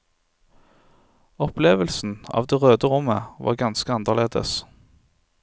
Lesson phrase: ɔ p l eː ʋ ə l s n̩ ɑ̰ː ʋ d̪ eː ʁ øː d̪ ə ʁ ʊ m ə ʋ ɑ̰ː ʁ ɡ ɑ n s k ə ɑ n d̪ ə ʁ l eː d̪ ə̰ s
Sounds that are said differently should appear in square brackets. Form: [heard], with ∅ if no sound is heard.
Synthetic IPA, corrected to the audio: ɔ p l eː ʋ ə l s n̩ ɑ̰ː ʋ d̪ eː ʁ øː d̪ ə ʁ ʊ m ə ʋ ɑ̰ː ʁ ɡ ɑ n s k ə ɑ n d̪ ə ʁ l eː d̪ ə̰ s